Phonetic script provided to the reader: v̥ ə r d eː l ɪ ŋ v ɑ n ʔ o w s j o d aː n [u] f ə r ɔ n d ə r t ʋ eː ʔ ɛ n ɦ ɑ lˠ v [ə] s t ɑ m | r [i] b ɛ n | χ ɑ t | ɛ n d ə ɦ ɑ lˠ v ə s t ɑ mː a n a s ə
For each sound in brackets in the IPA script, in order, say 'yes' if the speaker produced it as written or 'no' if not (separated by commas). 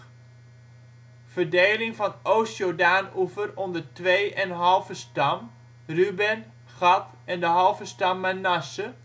yes, yes, no